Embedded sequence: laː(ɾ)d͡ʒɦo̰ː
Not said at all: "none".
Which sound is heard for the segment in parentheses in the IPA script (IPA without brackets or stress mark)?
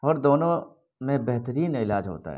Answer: none